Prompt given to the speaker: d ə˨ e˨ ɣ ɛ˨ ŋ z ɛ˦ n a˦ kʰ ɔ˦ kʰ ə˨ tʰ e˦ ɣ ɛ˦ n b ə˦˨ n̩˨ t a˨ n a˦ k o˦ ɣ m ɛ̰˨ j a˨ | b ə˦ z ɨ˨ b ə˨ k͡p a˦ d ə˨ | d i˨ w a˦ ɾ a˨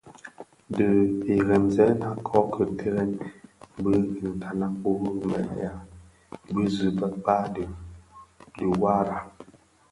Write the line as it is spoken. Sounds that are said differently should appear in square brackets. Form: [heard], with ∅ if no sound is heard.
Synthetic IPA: d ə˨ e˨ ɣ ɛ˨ [m] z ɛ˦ n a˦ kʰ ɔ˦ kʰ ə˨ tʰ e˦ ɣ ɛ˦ n b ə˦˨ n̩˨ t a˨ n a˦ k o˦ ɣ m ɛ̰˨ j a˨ | b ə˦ z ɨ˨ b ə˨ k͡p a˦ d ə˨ | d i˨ w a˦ ɾ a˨